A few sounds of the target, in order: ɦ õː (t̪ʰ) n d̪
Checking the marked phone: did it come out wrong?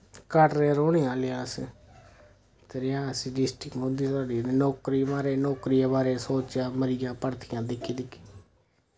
yes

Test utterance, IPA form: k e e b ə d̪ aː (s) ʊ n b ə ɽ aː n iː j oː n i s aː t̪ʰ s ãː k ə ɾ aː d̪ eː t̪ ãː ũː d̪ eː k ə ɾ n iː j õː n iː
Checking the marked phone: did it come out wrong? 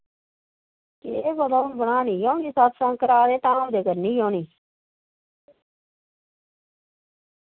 yes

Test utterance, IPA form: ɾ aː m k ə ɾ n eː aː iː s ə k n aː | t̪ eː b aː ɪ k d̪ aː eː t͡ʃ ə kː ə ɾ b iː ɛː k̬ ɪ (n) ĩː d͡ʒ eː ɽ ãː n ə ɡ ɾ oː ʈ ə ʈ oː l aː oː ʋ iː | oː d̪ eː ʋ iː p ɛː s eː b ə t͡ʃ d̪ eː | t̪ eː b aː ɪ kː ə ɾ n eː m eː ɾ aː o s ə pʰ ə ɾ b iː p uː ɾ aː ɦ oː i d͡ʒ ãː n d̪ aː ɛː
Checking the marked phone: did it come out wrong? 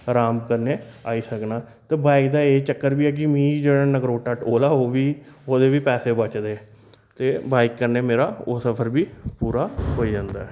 yes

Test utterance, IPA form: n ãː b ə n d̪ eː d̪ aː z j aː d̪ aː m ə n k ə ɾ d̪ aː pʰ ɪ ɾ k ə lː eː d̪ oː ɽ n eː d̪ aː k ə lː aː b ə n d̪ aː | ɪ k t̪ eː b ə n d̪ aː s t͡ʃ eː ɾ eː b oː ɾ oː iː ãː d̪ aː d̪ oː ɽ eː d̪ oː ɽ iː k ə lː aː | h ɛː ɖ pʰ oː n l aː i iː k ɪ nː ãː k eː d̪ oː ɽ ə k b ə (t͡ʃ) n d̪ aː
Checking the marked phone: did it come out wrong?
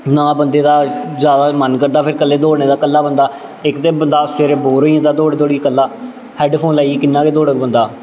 yes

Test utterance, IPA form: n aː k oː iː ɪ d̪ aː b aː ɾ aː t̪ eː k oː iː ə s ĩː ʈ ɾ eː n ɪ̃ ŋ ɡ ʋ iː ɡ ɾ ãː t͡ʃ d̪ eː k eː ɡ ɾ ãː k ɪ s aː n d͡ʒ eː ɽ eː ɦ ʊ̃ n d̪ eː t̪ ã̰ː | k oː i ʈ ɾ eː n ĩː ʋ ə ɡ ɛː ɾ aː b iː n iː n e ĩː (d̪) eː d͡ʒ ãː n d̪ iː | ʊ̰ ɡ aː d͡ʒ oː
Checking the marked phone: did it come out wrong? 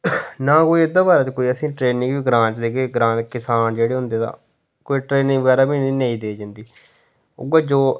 no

